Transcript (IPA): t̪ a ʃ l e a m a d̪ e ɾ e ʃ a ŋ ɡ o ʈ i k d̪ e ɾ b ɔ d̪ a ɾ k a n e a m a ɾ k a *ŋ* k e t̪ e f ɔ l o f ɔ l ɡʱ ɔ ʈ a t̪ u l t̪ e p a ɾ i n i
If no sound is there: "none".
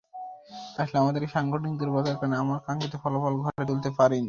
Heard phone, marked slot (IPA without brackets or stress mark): ŋ